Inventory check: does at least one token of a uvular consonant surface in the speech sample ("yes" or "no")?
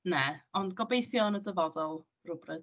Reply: no